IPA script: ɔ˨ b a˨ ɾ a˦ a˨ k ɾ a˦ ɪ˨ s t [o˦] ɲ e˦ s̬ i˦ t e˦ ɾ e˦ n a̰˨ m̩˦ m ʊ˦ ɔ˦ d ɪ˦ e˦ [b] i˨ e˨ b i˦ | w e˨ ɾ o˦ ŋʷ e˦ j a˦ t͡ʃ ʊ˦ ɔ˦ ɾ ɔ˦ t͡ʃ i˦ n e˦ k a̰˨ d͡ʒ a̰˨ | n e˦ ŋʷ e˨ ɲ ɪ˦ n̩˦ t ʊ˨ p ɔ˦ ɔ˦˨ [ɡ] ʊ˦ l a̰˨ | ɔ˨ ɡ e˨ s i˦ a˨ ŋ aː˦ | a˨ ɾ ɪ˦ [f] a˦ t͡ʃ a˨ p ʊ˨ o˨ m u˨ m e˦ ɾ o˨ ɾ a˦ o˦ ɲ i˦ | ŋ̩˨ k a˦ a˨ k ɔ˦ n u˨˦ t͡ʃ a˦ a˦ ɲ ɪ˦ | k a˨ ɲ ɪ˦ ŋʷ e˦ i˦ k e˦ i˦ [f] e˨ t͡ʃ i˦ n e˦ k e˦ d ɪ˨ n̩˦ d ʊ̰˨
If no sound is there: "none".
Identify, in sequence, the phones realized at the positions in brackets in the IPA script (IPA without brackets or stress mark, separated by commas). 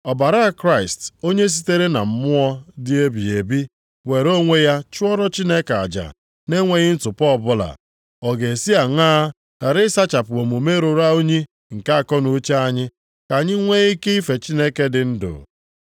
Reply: o˦, b, b, s, f